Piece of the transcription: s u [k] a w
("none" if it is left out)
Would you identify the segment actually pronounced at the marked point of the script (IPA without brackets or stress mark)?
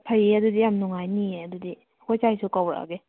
k